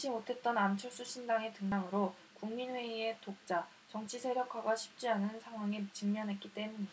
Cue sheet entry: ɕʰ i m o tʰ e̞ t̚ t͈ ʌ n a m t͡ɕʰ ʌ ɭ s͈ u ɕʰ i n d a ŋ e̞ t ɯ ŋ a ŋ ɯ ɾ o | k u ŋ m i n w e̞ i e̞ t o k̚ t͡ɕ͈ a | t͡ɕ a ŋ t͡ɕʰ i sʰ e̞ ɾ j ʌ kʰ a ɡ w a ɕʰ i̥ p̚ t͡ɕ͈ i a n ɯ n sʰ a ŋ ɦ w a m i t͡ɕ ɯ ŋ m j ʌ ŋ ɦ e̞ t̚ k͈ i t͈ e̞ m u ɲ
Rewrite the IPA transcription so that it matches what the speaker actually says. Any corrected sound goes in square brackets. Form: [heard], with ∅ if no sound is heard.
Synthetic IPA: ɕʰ i m o tʰ e̞ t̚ t͈ ʌ n a m t͡ɕʰ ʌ ɭ s͈ u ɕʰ i n d a ŋ e̞ t ɯ ŋ a ŋ ɯ ɾ o | k u ŋ m i n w e̞ i e̞ t o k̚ t͡ɕ͈ a | t͡ɕ [ʌ] ŋ t͡ɕʰ i sʰ e̞ ɾ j ʌ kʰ a ɡ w a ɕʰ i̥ p̚ t͡ɕ͈ i a n ɯ n sʰ a ŋ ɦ w a [ŋ] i t͡ɕ ɯ ŋ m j ʌ [n] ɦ e̞ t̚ k͈ i t͈ e̞ m u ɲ

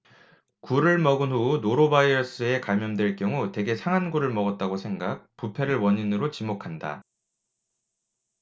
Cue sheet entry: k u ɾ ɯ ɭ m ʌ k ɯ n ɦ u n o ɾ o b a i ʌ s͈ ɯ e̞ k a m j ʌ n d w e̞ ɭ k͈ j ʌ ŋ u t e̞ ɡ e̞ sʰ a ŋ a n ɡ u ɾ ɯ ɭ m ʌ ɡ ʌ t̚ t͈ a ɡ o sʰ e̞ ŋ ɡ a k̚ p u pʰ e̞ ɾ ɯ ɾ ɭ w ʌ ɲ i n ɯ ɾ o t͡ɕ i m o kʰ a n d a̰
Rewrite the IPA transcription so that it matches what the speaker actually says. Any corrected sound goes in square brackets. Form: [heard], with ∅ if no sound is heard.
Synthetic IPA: k u ɾ ɯ ɭ m ʌ [ɡ] ɯ n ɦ u n o ɾ o b a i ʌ s͈ ɯ e̞ k a m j ʌ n d w e̞ ɭ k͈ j ʌ ŋ u t e̞ ɡ e̞ sʰ a ŋ a n ɡ u ɾ ɯ ɭ m ʌ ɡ ʌ t̚ t͈ a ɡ o sʰ e̞ ŋ ɡ a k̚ p u pʰ e̞ ɾ ɯ [∅] ɭ w ʌ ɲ i n ɯ ɾ o t͡ɕ i m o kʰ a n d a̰

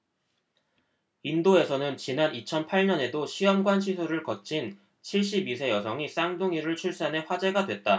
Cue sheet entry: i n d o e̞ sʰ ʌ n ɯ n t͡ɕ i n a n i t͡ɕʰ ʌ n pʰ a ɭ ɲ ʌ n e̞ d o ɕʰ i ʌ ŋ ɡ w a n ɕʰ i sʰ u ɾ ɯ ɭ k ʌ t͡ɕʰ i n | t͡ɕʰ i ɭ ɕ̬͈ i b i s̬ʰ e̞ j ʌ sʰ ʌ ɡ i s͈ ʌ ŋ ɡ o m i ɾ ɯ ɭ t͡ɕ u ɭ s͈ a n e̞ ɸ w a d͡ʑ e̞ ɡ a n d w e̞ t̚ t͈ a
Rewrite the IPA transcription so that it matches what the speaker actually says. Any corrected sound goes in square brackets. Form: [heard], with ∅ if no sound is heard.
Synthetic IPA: i n d o e̞ sʰ ʌ n ɯ n t͡ɕ i n a n i t͡ɕʰ ʌ n pʰ a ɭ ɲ ʌ n e̞ d o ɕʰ i ʌ [m] ɡ w a n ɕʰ i sʰ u ɾ ɯ ɭ k ʌ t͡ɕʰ i n | t͡ɕʰ i ɭ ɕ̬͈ i b i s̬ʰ e̞ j ʌ sʰ ʌ [ŋ] i s͈ [a] ŋ [d] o [ŋ] i ɾ ɯ ɭ [t͡ɕʰ] u ɭ s͈ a n e̞ ɸ w a d͡ʑ e̞ ɡ a [∅] d w e̞ t̚ t͈ a

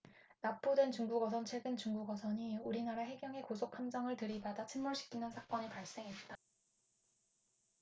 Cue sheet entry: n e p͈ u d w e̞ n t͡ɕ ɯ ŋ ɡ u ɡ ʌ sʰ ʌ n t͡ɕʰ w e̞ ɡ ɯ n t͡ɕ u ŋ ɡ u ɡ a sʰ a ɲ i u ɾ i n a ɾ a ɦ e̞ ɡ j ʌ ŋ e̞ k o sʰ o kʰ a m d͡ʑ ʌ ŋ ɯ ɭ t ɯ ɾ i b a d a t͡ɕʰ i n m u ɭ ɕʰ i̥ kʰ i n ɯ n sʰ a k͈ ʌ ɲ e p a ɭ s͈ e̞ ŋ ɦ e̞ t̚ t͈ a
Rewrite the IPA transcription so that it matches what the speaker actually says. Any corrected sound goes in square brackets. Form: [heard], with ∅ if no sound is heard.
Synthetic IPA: n [a] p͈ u d w e̞ n t͡ɕ [u] ŋ ɡ u ɡ ʌ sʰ ʌ n t͡ɕʰ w e̞ ɡ ɯ n t͡ɕ u ŋ ɡ u ɡ [ʌ] sʰ [ʌ] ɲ i u ɾ i n a ɾ a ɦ e̞ ɡ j ʌ ŋ e̞ k o sʰ o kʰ a m d͡ʑ ʌ ŋ ɯ ɭ t ɯ ɾ i b a d a t͡ɕʰ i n m u ɭ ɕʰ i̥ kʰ i n ɯ n sʰ a k͈ ʌ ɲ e p a ɭ s͈ e̞ ŋ ɦ e̞ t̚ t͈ a

